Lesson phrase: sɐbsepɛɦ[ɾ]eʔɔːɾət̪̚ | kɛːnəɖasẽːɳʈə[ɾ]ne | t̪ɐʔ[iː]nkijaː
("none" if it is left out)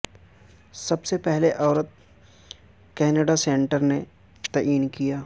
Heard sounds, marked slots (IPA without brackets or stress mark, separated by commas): l, ɾ, iː